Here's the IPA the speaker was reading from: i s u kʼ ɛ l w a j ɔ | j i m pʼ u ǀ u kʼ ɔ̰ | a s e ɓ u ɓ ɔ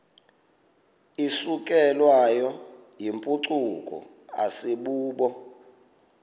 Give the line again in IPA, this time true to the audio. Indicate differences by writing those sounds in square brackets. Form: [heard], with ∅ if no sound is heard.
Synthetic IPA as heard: i s u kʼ ɛ l w a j ɔ | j i m pʼ u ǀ u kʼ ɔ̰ | a s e ɓ [uː] ɓ ɔ